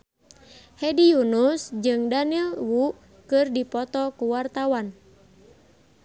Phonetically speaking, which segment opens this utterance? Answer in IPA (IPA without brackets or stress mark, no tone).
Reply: h